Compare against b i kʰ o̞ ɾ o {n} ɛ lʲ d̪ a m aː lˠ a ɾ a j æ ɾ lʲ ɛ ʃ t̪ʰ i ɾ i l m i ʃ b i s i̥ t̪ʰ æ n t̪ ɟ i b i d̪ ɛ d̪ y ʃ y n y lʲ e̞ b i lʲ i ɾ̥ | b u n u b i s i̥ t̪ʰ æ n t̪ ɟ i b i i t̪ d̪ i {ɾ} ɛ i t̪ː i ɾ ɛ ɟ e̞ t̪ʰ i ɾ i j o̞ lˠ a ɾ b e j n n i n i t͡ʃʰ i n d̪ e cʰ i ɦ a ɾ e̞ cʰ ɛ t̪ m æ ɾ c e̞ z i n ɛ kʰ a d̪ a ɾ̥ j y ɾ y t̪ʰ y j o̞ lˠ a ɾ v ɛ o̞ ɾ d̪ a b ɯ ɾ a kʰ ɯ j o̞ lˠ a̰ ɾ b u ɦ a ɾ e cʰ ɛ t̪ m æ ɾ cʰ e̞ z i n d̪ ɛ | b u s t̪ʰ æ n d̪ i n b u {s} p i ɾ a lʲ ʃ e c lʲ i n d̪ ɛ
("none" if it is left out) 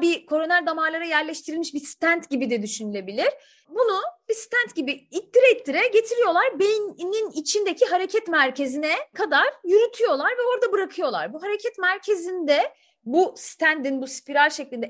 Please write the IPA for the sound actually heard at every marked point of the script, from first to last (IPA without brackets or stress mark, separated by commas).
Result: n, ɾ, s